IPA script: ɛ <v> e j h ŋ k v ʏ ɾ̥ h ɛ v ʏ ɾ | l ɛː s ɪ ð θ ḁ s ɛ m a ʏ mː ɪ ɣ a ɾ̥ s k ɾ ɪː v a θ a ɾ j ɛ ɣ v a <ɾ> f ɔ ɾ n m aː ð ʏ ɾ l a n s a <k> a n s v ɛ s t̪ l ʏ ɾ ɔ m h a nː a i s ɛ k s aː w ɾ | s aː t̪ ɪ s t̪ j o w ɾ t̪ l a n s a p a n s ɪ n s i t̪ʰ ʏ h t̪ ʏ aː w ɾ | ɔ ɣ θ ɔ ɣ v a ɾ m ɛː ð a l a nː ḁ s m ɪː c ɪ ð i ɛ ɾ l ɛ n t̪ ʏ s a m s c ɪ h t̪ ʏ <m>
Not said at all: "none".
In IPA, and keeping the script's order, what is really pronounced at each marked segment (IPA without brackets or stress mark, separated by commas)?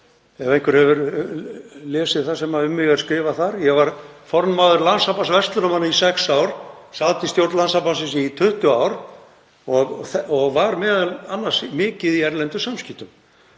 v, ɾ, p, m